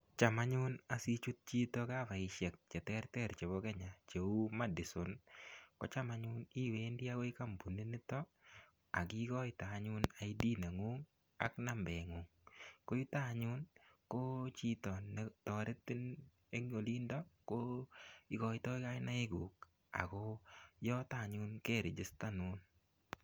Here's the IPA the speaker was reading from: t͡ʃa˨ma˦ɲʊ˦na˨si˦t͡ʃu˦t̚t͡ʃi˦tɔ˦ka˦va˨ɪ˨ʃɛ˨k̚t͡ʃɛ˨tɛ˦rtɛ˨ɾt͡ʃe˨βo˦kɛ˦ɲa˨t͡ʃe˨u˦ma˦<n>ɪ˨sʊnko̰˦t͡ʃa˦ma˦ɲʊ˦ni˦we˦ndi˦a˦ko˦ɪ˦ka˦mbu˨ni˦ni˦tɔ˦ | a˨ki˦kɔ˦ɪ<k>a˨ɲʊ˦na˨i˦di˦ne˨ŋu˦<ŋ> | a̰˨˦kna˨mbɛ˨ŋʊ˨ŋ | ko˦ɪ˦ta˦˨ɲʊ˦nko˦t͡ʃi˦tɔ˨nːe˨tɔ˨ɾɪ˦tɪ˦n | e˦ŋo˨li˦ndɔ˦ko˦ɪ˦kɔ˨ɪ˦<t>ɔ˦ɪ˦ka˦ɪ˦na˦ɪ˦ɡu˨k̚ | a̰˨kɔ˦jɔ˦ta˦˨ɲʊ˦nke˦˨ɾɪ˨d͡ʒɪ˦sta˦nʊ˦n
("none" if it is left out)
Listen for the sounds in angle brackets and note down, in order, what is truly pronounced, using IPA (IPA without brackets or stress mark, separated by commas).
d, t, ŋ, t